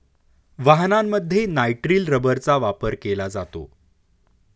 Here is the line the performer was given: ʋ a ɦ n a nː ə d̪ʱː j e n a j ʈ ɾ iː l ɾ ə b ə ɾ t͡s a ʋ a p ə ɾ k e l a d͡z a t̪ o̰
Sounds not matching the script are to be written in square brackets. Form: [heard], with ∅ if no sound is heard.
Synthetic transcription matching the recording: ʋ a ɦ n a [mː] ə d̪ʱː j e n a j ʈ ɾ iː l ɾ ə b ə ɾ t͡s a ʋ a p ə ɾ k e l a d͡z a t̪ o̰

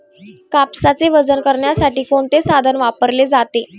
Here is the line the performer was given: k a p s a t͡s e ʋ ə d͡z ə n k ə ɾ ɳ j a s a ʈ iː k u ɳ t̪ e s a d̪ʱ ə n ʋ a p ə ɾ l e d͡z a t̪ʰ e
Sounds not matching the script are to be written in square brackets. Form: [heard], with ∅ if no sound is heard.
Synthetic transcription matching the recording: k a p s a t͡s e ʋ ə d͡z ə n k ə ɾ ɳ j a s a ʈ iː k [o] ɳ t̪ e s a d̪ʱ ə n ʋ a p ə ɾ l e d͡z a [t̪] e

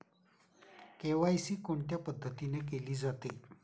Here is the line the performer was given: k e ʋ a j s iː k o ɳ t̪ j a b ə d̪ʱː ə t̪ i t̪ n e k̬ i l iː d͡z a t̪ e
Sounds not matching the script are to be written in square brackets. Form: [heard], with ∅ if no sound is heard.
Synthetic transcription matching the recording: k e ʋ a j s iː k o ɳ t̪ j a [p] ə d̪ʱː ə t̪ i [∅] n e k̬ [e] l iː d͡z a t̪ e

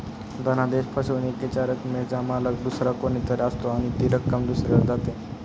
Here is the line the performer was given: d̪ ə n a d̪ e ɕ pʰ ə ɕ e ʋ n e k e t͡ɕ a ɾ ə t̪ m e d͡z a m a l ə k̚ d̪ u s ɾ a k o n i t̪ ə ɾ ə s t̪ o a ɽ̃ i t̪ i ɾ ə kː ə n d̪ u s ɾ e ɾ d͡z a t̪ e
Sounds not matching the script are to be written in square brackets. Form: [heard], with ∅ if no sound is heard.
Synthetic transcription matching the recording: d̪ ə n a d̪ e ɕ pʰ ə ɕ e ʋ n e k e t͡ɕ a ɾ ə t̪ m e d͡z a m a l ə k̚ d̪ u s ɾ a k o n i t̪ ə ɾ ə s t̪ o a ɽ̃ i t̪ i ɾ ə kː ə [m] d̪ u s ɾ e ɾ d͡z a t̪ e

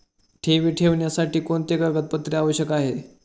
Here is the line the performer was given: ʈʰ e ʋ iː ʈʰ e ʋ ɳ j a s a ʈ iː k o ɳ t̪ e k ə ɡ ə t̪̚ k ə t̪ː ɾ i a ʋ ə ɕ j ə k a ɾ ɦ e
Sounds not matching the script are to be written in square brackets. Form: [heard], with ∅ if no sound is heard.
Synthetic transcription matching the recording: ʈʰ e ʋ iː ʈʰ e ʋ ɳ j a s a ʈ iː k o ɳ t̪ e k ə ɡ ə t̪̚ [p] ə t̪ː ɾ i a ʋ ə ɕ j ə k a [∅] ɦ e

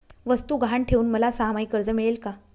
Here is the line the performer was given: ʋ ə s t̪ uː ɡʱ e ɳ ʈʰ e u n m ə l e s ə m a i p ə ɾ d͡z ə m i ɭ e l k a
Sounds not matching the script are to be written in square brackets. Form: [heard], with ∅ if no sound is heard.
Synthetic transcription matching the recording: ʋ ə s t̪ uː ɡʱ [a] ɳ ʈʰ e [uː] n m ə l [a] s [a] m a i [k] ə ɾ d͡z ə m i ɭ e l k a

